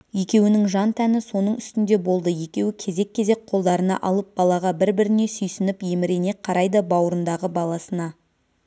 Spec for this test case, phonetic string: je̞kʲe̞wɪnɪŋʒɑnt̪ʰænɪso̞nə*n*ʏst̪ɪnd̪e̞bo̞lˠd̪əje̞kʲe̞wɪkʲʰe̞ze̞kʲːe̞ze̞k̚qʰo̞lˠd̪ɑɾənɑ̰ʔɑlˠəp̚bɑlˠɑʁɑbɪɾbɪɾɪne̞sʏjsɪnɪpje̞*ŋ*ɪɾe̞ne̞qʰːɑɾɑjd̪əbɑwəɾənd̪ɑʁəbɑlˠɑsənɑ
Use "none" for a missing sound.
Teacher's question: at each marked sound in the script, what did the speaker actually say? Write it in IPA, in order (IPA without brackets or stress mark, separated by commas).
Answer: ɴ, m